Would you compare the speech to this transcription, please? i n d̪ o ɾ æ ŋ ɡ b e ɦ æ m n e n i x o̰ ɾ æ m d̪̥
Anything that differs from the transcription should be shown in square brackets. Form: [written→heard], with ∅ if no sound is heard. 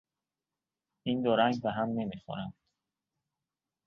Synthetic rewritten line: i n d̪ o ɾ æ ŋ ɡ b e ɦ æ m n e [n→m] i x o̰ ɾ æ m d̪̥